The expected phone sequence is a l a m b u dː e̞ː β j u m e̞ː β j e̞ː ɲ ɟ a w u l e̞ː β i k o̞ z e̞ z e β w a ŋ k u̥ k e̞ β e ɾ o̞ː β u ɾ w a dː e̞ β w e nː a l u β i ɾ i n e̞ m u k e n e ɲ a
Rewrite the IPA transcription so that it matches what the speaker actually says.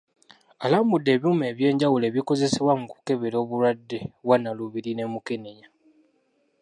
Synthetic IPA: a l a m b u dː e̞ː β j u m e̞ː β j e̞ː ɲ ɟ a w u l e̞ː β i k o̞ z e̞ s e β w a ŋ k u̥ k e̞ β e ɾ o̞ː β u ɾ w a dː e̞ β w a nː a l u β i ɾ i n e̞ m u k e n e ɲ a

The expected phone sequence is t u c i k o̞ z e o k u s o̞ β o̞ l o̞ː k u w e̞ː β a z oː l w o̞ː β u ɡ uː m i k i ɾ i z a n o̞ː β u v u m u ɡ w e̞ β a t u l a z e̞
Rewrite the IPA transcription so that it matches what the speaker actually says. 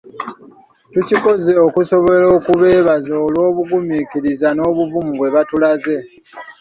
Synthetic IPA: t u c i k o̞ z e o k u s o̞ β o̞ l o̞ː k u β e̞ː β a z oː l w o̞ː β u ɡ u m i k i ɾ i z a n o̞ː β u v u m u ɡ w e̞ β a t u l a z e̞

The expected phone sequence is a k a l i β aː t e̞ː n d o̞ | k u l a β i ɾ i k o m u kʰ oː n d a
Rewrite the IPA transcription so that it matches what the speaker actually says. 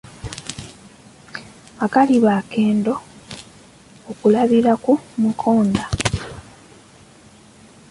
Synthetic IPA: a k a l i β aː k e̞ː n d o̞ | k u l a β i ɾ a k u m u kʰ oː n d a

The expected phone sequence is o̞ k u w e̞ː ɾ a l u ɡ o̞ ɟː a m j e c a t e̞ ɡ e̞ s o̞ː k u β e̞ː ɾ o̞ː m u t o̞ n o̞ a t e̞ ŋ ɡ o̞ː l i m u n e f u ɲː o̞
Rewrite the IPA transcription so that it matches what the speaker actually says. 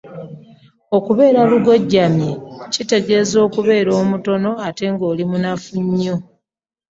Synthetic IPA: o̞ k u β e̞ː ɾ a l u ɡ o̞ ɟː a m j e c i t e̞ ɡ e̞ z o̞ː k u β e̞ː ɾ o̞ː m u t o̞ n o̞ a t e̞ ŋ ɡ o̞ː l i m u n a f u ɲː o̞

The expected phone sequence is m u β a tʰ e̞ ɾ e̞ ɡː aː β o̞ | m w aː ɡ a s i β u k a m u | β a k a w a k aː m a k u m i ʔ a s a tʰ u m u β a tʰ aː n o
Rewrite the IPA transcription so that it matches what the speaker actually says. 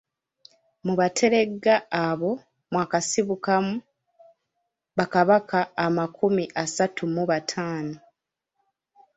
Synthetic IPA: m u β a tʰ e̞ ɾ e̞ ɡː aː β o̞ | m w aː k a s i β u k a m u | β a k a β a k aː m a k u m i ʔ a s a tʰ u m u β a tʰ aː n o

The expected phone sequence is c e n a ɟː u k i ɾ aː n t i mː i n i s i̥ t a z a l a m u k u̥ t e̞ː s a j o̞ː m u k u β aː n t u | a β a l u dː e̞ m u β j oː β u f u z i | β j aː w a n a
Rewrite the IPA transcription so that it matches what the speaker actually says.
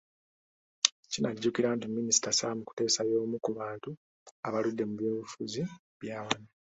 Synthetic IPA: c i n a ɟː u k i ɾ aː n t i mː i n i s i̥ t a s a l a m u k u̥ t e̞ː s a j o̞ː m u k u β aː n t u | a β a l u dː e̞ m u β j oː β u f u z i | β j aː w a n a

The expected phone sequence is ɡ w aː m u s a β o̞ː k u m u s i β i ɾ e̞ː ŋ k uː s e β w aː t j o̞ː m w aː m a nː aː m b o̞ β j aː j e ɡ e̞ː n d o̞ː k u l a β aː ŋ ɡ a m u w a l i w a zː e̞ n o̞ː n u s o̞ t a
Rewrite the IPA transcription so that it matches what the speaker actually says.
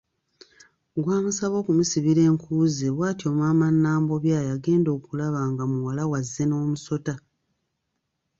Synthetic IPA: ɡ w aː m u s a β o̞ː k u m u s i β i ɾ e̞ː ŋ k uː z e β w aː t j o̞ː m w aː m a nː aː m b o̞ β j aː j a ɡ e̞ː n d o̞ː k u l a β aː ŋ ɡ a m u w a l a w a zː e̞ n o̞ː m u s o̞ t a

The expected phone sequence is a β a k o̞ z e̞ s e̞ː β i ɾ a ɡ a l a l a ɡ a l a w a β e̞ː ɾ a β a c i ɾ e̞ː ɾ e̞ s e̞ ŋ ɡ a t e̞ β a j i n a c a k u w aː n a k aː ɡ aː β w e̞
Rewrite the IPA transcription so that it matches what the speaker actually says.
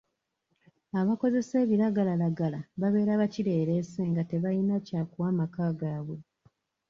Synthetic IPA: a β a k o̞ z e̞ s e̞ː β i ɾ a ɡ a l a l a ɡ a l a β a β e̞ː ɾ a β a c i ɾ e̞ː ɾ e̞ s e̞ ŋ ɡ a t e̞ β a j i n a c a k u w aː m a k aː ɡ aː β w e̞

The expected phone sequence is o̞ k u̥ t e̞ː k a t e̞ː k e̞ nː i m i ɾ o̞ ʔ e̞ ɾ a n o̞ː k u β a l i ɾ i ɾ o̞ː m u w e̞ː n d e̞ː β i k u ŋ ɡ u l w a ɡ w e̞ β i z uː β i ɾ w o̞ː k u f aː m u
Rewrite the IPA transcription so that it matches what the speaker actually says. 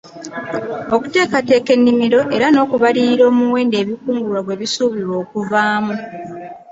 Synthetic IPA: o̞ k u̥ t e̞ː k a t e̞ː k e̞ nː i m i ɾ o̞ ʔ e̞ ɾ a n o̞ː k u β a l i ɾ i ɾ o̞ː m u w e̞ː n d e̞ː β i k uː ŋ ɡ u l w a ɡ w e̞ β i s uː β i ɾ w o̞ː k u v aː m u

